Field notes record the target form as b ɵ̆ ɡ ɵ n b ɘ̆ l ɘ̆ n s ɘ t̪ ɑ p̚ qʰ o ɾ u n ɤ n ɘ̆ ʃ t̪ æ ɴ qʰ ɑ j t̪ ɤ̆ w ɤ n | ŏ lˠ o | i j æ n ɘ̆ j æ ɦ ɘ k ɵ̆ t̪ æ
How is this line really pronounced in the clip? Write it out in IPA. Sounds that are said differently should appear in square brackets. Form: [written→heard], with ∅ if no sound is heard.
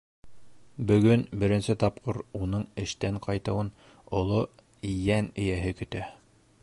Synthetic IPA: b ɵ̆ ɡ ɵ n b ɘ̆ [l→ɾ] ɘ̆ n s ɘ t̪ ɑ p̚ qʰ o ɾ u n ɤ [n→ɴ] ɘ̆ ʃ t̪ æ ɴ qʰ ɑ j t̪ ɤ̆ w ɤ n | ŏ lˠ o | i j æ n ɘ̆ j æ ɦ ɘ k ɵ̆ t̪ æ